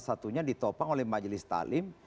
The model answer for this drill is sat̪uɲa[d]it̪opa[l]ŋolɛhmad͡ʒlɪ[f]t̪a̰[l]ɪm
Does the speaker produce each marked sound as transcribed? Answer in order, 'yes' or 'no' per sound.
yes, no, no, yes

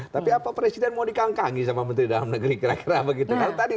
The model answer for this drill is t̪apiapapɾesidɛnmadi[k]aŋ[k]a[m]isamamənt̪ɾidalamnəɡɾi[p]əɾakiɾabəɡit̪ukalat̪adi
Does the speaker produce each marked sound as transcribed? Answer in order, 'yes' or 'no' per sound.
yes, yes, no, no

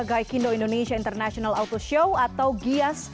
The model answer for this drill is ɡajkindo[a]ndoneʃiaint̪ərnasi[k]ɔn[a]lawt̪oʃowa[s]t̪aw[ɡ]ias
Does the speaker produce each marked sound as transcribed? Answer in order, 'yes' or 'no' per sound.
no, no, yes, no, yes

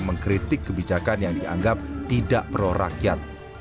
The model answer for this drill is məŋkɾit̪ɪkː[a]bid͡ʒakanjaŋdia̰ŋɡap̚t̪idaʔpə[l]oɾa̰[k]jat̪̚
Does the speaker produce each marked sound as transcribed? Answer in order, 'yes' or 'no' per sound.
no, no, yes

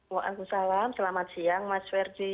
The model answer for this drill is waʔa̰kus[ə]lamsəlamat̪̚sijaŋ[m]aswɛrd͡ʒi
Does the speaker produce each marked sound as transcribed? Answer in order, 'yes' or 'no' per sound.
no, yes

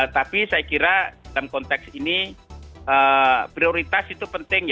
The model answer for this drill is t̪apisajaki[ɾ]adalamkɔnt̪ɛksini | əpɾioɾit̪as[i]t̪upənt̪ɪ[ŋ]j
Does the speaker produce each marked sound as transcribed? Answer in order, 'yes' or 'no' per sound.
yes, yes, yes

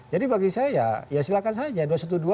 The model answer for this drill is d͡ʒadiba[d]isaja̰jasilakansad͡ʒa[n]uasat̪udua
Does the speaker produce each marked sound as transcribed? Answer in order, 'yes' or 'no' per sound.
no, no

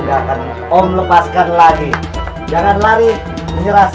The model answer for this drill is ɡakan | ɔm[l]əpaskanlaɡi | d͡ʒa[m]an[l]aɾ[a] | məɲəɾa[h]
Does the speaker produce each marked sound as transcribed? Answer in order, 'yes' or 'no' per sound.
yes, no, yes, no, no

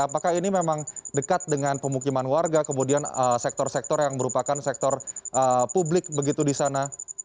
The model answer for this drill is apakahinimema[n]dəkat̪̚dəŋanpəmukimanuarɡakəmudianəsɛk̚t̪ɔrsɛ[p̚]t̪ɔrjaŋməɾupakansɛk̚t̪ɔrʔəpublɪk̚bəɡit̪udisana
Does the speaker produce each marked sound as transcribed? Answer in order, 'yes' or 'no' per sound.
no, no

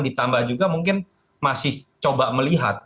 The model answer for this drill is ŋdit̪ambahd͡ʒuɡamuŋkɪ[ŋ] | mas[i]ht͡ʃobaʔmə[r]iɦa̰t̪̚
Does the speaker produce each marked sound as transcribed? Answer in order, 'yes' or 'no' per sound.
no, no, no

